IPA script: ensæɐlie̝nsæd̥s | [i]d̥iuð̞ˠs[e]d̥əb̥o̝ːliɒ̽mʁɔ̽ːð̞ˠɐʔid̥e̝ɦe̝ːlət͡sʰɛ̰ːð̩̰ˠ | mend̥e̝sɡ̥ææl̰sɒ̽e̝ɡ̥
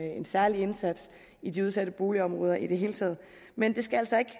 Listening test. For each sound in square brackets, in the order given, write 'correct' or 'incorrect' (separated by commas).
correct, incorrect